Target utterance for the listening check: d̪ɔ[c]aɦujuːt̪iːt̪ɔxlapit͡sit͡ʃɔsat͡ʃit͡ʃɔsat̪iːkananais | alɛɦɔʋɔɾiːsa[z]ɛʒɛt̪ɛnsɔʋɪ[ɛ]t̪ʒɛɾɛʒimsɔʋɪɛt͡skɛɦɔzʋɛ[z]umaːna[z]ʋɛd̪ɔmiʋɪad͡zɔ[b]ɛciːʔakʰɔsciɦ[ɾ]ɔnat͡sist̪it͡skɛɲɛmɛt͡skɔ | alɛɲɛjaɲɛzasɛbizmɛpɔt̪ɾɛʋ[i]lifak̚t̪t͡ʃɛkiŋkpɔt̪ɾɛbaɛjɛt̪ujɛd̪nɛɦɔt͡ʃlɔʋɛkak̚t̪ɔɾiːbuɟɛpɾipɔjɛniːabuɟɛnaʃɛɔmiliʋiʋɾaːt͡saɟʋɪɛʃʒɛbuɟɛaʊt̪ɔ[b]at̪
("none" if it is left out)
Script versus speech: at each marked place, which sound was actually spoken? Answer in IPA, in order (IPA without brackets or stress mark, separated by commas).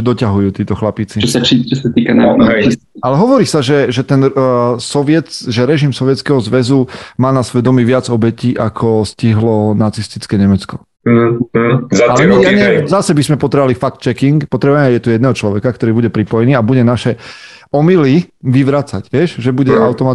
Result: c, ʒ, ɛ, z, s, b, l, a, m